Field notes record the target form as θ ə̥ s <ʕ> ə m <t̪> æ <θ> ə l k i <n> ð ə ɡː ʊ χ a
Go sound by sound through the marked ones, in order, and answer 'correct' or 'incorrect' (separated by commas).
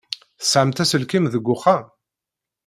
correct, correct, incorrect, incorrect